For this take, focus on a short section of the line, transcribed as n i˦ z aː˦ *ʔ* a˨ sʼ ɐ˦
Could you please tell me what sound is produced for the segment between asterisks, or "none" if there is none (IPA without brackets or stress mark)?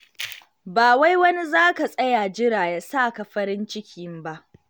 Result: k